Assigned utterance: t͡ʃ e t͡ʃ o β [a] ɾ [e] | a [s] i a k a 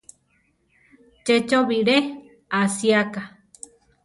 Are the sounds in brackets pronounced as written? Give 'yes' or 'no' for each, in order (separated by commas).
no, yes, yes